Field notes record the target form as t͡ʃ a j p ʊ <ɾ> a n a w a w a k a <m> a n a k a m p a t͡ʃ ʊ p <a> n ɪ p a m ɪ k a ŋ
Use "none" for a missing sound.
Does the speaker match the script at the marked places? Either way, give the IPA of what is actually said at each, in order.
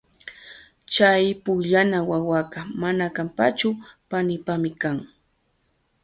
ʎ, m, a

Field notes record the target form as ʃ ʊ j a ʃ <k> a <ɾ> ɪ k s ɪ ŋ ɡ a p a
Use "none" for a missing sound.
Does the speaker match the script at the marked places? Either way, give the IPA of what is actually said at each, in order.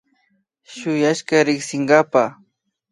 k, ɾ

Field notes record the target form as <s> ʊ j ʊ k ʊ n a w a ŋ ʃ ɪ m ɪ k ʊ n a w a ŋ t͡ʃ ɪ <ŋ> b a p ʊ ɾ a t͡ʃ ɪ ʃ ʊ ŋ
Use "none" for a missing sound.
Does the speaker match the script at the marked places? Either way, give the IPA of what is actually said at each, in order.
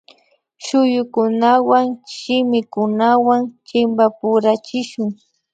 ʃ, m

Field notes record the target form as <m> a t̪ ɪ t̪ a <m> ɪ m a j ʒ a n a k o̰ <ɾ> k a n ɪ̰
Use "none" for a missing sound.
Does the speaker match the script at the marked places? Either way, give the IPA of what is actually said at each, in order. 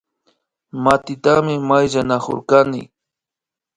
m, m, ɾ

